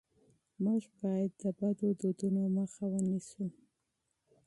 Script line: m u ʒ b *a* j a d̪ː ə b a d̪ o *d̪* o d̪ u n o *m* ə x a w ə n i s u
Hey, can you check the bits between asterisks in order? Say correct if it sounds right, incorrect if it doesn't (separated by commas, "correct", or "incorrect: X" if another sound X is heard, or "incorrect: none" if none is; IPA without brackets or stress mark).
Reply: incorrect: ɑ, correct, correct